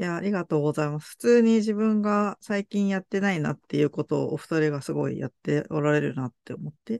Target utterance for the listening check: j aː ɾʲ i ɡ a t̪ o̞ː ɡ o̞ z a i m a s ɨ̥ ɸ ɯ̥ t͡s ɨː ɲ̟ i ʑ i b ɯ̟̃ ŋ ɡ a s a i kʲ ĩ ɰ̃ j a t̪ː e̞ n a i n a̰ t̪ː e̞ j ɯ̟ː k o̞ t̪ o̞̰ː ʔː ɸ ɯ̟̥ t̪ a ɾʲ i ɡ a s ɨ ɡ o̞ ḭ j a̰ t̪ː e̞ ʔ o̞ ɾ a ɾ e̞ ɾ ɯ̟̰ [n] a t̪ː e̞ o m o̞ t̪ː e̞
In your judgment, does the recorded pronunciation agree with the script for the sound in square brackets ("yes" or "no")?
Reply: yes